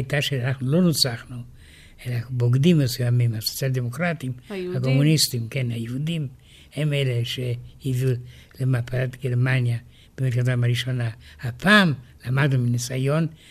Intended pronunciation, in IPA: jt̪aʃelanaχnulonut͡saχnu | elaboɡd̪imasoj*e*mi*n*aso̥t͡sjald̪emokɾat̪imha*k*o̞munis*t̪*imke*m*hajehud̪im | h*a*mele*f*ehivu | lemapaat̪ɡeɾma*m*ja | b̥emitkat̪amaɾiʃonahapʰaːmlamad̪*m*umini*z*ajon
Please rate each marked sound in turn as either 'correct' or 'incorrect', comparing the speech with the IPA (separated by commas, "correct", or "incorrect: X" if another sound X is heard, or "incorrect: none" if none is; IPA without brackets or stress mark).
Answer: incorrect: a, incorrect: m, correct, correct, incorrect: n, incorrect: e, incorrect: ʃ, incorrect: n, incorrect: n, incorrect: s